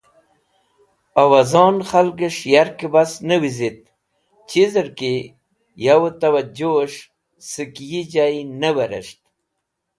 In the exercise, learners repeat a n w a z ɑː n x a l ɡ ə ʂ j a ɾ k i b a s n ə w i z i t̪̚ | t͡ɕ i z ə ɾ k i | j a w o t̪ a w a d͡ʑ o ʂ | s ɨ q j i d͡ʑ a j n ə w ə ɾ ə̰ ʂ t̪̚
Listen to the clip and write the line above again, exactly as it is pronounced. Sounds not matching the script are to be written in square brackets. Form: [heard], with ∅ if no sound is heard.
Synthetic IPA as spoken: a [∅] w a z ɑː n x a l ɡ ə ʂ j a ɾ k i b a s n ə w i z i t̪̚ | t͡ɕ i z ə ɾ k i | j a w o t̪ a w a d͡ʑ o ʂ | s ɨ [k] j i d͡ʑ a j n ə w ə ɾ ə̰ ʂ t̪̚